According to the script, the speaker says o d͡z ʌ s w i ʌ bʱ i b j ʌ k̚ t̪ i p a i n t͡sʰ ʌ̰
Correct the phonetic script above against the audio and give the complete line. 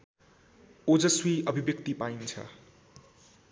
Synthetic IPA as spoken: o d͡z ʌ s w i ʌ bʱ i b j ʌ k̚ t̪ i p a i n t͡sʰ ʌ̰